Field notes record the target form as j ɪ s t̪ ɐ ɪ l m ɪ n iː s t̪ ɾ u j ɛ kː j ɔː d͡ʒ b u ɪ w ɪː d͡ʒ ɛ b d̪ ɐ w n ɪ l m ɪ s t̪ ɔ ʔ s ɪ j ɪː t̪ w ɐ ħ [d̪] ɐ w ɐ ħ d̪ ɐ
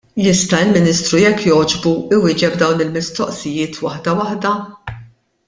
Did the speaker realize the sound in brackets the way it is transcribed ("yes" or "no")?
yes